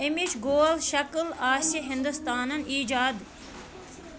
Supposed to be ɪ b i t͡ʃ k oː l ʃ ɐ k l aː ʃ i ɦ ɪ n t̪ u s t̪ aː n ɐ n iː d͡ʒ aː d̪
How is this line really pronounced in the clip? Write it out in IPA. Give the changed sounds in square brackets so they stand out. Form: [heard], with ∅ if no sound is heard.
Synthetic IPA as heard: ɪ [m] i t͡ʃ [ɡ] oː l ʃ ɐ k l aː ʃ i ɦ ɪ n [d̪] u s t̪ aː n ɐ n iː d͡ʒ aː d̪